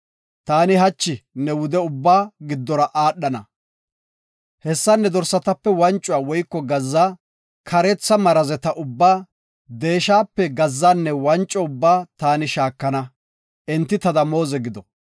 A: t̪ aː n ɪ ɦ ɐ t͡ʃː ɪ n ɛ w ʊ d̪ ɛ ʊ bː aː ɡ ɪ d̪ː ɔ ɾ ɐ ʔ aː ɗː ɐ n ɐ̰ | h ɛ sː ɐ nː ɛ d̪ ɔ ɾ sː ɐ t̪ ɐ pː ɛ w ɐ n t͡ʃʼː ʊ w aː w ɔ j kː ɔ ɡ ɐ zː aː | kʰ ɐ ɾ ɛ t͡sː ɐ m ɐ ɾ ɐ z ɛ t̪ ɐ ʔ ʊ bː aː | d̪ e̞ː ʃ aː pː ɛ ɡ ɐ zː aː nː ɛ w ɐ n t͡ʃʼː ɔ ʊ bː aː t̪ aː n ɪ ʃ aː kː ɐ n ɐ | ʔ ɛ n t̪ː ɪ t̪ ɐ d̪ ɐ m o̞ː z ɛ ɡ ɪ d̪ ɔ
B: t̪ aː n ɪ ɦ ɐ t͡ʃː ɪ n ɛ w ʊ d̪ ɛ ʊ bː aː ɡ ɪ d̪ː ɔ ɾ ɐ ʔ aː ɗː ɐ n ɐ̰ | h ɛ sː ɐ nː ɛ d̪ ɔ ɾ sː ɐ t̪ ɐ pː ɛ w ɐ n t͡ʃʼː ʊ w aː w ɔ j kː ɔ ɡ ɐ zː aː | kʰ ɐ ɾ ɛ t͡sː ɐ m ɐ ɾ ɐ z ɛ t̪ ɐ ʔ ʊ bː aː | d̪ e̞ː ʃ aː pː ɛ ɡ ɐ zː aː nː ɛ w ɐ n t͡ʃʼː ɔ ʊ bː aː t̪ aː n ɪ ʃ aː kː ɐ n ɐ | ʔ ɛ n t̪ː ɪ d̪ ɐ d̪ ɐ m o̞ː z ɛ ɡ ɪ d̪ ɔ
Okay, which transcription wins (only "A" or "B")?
A